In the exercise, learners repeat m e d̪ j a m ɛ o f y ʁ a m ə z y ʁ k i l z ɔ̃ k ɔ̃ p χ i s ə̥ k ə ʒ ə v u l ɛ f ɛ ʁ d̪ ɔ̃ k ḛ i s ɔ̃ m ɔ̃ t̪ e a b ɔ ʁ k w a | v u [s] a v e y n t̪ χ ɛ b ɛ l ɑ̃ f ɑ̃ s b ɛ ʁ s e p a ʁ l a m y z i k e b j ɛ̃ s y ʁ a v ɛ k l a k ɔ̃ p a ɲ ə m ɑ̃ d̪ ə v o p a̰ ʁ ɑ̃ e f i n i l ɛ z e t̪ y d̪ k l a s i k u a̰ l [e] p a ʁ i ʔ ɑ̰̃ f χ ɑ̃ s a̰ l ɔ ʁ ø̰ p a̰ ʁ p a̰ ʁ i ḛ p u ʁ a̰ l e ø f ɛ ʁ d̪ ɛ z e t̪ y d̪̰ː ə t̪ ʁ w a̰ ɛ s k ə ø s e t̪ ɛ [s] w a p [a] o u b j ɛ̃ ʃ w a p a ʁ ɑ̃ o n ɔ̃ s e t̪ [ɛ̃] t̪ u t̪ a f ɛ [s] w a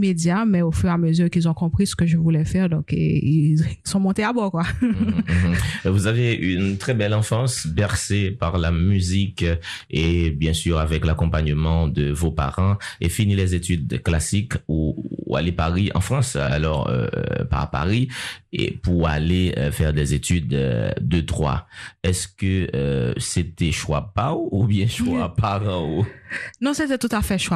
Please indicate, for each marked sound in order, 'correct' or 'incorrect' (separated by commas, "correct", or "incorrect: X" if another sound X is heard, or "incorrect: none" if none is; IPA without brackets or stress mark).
incorrect: z, correct, incorrect: ʃ, correct, incorrect: ɛ, incorrect: ʃ